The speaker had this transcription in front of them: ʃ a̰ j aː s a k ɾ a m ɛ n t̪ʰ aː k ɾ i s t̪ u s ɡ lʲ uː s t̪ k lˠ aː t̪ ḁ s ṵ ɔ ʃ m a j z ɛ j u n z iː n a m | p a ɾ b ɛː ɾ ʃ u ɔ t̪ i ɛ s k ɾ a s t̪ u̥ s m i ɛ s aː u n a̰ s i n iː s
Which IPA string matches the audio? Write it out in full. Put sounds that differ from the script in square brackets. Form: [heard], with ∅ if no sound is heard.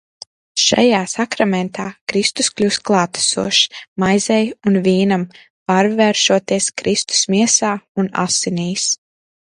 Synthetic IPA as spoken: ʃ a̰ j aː s a k ɾ a m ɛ n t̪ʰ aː k ɾ i s t̪ u s [k] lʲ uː s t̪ k lˠ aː t̪ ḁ s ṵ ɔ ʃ m a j z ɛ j u n [v] iː n a m | p a ɾ [v] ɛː ɾ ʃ u ɔ t̪ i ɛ s k ɾ [i] s t̪ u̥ s m i ɛ s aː u n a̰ s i n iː s

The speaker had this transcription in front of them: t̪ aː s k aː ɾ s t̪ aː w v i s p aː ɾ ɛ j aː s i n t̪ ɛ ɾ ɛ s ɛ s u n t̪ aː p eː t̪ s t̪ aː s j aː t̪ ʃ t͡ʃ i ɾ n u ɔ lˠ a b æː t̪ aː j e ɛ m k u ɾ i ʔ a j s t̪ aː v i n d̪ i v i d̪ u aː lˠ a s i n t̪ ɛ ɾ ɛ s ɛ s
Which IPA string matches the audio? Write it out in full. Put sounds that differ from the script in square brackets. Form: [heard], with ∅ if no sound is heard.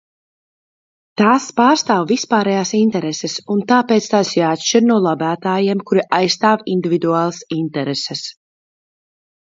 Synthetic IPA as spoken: t̪ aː s [p] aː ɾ s t̪ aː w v i s p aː ɾ ɛ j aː s i n t̪ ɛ ɾ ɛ s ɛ s u n t̪ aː p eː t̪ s t̪ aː s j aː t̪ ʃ t͡ʃ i ɾ n u ɔ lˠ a b æː t̪ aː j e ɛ m k u ɾ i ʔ a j s t̪ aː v i n d̪ i v i d̪ u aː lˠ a s i n t̪ ɛ ɾ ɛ s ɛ s

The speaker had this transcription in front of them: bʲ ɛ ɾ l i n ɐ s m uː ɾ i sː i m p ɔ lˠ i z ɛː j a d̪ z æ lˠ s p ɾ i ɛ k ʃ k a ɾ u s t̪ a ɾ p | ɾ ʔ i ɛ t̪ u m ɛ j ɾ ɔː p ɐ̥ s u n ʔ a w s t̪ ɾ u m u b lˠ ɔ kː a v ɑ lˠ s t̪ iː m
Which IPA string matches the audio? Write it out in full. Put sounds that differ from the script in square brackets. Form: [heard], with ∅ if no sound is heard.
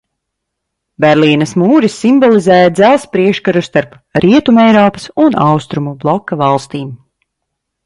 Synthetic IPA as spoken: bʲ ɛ ɾ l [iː] n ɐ s m uː ɾ i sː i m [b] ɔ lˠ i z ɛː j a d̪ z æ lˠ s p ɾ i ɛ k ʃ k a ɾ u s t̪ a ɾ p | ɾ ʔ i ɛ t̪ u m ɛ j ɾ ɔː p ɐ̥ s u n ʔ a w s t̪ ɾ u m u b lˠ ɔ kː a v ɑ lˠ s t̪ iː m

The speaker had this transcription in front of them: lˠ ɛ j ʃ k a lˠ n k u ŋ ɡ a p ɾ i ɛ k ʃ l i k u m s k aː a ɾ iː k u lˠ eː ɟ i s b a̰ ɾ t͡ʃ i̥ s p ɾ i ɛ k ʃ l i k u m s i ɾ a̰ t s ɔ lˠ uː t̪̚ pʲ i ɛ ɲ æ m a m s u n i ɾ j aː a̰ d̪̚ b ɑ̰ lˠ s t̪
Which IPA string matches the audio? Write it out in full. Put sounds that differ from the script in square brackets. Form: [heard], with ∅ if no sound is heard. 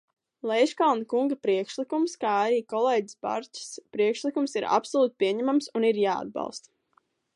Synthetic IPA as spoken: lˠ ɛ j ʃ k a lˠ n k u ŋ ɡ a p ɾ i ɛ k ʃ l i k u m s k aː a ɾ iː k [ɔ] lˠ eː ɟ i s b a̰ ɾ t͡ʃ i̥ s p ɾ i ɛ k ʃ l i k u m s i ɾ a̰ [p] s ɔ lˠ uː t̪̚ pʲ i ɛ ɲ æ m a m s u n i ɾ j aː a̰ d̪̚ b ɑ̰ lˠ s t̪

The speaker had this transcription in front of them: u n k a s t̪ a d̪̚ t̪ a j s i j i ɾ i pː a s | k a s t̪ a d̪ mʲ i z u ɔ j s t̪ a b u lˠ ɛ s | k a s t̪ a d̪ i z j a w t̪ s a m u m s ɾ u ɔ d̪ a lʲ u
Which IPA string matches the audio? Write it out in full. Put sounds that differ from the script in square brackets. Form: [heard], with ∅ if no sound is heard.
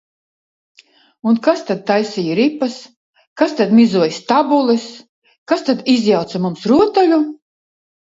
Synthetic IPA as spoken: u n k a s t̪ a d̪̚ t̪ a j s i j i ɾ i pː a s | k a s t̪ a d̪ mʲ i z u ɔ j s t̪ a b u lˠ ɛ s | k a s t̪ a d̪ i z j a w t̪ s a m u m s ɾ u ɔ [t̪] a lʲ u

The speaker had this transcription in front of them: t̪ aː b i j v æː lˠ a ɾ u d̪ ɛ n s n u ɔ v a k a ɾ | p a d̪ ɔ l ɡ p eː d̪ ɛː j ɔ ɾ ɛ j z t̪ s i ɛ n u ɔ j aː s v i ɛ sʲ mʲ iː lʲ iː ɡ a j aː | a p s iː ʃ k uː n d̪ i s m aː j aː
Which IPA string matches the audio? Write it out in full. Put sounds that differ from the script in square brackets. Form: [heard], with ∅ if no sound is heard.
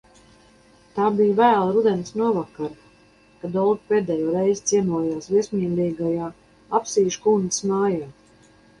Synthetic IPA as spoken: t̪ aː b i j v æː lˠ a ɾ u d̪ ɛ n s n u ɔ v a k a ɾ | [k] a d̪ ɔ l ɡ p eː d̪ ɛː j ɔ ɾ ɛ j z t̪ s i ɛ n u ɔ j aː s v i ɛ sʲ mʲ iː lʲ iː ɡ a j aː | a p s iː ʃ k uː n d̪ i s m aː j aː

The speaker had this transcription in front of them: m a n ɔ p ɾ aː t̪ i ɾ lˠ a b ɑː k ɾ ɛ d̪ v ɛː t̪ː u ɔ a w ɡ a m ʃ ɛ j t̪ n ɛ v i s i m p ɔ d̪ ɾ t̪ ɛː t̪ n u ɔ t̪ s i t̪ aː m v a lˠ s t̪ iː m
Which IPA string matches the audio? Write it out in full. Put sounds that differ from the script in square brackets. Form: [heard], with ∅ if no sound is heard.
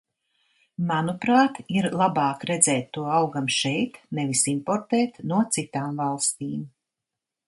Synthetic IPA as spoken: m a n [u] p ɾ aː t̪ i ɾ lˠ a b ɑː k ɾ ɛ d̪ [z] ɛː t̪ː u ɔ a w ɡ a m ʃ ɛ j t̪ n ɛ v i s i m p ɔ [∅] ɾ t̪ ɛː t̪ n u ɔ t̪ s i t̪ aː m v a lˠ s t̪ iː m

